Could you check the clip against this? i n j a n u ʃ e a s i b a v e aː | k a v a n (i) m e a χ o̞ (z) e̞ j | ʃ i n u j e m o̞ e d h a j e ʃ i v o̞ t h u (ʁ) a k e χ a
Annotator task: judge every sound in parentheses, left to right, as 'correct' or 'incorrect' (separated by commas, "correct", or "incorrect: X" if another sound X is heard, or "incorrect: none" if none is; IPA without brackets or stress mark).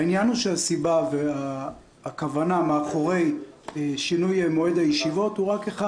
incorrect: a, incorrect: ʁ, correct